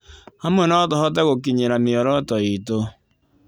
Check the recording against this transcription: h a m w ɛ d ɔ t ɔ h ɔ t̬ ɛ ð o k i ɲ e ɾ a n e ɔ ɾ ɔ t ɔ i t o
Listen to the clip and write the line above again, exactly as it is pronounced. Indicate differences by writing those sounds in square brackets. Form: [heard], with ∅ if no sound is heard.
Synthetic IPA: h a m w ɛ [n] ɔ t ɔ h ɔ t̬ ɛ [ɣ] o k i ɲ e ɾ a [m] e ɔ ɾ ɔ t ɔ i t o